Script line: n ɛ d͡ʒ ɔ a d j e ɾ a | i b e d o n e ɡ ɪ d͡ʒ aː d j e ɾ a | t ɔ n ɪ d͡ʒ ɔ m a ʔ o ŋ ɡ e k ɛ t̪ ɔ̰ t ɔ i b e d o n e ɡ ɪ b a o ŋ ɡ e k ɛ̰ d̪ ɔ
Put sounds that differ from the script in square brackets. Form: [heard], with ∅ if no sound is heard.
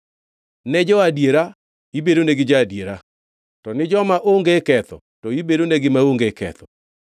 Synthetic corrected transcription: n ɛ d͡ʒ ɔ a d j e ɾ a | i b e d o n e ɡ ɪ d͡ʒ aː d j e ɾ a | t ɔ n ɪ d͡ʒ ɔ m a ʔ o ŋ ɡ e k ɛ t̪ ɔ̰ t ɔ i b e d o n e ɡ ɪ [m] a o ŋ ɡ e k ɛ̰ [t̪] ɔ